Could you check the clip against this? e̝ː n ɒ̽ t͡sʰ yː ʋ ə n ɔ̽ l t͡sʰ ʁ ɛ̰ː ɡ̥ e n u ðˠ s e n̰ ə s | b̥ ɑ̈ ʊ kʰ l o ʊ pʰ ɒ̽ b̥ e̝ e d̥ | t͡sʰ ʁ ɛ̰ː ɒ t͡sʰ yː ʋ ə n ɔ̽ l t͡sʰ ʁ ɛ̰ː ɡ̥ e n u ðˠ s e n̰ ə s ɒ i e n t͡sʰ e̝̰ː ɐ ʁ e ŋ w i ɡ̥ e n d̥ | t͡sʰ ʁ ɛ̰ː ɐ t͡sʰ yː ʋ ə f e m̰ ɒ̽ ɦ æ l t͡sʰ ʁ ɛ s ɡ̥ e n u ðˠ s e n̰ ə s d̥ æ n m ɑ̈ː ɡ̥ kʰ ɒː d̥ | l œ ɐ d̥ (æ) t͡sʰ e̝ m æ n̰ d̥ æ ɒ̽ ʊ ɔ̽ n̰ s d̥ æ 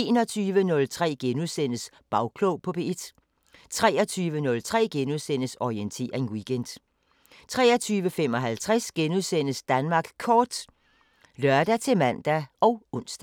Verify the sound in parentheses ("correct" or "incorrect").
correct